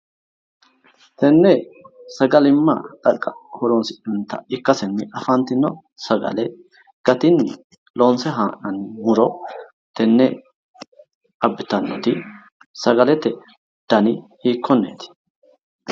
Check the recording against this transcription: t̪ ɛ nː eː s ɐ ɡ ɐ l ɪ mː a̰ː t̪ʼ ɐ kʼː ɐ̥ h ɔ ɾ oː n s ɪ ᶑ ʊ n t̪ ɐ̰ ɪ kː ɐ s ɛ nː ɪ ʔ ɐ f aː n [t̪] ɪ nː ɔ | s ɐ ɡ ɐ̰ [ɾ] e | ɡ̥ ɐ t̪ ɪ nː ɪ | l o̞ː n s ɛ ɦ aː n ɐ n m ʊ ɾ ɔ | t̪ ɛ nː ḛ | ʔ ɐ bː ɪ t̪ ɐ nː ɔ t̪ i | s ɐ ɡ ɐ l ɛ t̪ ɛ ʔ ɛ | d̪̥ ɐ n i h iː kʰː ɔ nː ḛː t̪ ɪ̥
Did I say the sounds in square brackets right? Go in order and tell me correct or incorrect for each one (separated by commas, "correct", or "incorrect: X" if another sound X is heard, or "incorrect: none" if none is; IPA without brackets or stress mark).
correct, incorrect: l